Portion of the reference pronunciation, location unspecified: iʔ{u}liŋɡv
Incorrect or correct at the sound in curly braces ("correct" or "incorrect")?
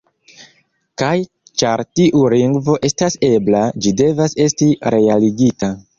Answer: correct